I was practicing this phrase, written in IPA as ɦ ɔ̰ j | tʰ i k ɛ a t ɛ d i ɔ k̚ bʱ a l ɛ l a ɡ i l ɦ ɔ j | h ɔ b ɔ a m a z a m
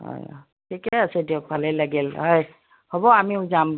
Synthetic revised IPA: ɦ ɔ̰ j | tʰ i k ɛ a s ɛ d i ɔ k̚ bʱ a l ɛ l a ɡ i l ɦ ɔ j | h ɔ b ɔ a m i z a m